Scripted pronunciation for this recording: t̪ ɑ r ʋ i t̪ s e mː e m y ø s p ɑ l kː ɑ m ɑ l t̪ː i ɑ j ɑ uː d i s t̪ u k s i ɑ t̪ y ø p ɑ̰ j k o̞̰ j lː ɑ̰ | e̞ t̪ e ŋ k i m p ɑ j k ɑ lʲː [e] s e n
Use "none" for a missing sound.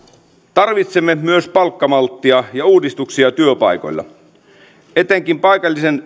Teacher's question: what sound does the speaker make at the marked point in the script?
i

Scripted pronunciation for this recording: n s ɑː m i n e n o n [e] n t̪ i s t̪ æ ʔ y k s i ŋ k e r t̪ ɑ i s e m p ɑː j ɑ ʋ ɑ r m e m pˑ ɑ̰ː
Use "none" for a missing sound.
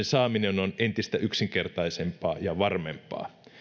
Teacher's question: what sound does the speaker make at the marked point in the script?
e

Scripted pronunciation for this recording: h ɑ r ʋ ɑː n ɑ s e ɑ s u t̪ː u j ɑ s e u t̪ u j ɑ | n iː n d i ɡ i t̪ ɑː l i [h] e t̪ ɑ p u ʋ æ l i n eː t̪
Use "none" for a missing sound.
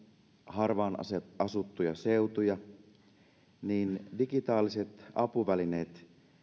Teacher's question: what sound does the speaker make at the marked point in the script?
s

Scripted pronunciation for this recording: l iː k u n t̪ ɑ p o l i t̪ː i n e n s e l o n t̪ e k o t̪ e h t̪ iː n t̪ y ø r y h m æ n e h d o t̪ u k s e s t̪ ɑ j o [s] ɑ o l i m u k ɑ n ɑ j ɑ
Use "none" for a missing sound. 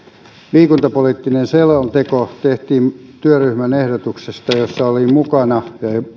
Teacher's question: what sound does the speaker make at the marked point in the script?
sː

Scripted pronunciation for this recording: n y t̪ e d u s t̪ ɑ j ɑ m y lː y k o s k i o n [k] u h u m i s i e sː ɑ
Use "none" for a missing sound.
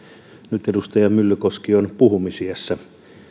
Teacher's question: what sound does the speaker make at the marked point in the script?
p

